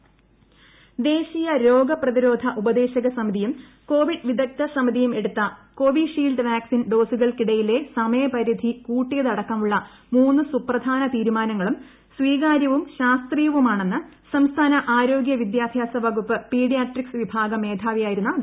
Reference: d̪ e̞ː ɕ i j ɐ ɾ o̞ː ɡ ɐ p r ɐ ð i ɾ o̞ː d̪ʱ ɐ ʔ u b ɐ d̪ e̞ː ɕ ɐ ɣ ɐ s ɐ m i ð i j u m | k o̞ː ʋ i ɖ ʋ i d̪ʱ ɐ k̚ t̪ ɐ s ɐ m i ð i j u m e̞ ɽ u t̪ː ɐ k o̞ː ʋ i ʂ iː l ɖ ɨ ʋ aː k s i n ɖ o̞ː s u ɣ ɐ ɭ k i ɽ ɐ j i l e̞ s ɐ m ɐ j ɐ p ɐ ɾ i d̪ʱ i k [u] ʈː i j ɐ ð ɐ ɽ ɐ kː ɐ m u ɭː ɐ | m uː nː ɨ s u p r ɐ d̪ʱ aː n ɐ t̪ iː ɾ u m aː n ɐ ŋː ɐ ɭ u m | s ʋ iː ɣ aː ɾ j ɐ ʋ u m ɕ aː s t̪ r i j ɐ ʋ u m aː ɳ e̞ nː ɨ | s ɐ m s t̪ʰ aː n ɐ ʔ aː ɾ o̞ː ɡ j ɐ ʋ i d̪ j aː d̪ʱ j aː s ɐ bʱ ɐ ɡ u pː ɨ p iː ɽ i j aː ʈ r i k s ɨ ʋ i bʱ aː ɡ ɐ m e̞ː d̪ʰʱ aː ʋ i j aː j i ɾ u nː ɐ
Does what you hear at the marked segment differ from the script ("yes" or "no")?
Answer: yes